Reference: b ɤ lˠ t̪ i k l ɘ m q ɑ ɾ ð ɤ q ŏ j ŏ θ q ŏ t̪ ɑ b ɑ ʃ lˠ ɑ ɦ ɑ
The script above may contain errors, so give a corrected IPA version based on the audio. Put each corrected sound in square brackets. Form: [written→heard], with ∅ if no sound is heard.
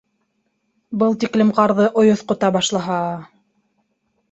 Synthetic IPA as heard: b ɤ lˠ t̪ i k l ɘ m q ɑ ɾ ð ɤ [q→ʔ] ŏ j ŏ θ q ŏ t̪ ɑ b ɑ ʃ lˠ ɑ ɦ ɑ